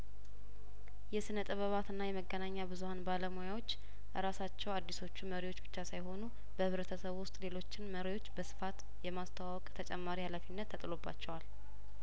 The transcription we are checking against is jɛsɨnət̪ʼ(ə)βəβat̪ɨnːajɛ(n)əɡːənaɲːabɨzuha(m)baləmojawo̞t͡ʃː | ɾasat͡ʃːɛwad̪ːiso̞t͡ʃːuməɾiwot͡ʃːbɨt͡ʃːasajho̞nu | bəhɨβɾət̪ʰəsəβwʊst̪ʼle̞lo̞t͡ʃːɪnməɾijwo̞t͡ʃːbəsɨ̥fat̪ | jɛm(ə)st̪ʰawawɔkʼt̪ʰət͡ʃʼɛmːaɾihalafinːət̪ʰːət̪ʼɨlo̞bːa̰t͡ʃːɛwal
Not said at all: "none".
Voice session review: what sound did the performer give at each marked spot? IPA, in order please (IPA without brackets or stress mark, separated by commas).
ə, m, n, a